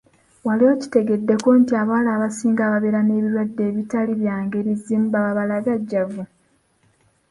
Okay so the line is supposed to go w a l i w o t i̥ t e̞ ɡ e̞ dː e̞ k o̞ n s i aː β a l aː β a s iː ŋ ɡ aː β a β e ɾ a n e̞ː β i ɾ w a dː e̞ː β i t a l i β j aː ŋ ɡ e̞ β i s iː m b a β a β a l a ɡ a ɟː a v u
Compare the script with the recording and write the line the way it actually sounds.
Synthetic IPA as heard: w a l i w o c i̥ t e̞ ɡ e̞ dː e̞ k o̞ n t i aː β a l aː β a s iː ŋ ɡ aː β a β e ɾ a n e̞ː β i ɾ w a dː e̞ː β i t a l i β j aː ŋ ɡ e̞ β i z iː m b a β a β a l a ɡ a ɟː a v u